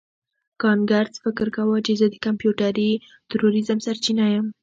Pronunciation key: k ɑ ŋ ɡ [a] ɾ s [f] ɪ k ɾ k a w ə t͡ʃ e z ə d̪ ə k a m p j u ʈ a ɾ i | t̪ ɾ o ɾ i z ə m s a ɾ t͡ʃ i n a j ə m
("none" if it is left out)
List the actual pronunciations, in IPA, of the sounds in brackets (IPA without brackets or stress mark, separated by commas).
a, f